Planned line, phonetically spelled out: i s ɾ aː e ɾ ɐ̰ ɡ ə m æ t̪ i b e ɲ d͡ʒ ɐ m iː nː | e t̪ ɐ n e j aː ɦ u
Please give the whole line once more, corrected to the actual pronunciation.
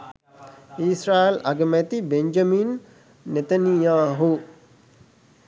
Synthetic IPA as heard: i s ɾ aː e l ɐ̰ ɡ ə m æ t̪ i b e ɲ d͡ʒ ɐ m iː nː | e t̪ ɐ n i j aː ɦ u